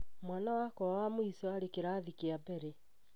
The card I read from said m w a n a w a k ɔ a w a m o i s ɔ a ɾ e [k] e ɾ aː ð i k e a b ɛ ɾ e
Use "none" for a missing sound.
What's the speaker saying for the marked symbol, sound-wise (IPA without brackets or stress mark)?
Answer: k